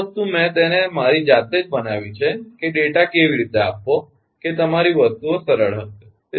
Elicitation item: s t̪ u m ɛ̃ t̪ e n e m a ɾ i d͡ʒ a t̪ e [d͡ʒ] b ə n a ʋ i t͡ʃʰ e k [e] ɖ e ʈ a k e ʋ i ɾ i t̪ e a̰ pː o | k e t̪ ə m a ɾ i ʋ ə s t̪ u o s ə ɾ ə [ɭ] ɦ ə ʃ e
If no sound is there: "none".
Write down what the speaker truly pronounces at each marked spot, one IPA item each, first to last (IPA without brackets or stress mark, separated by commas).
d͡ʒ, e, ɭ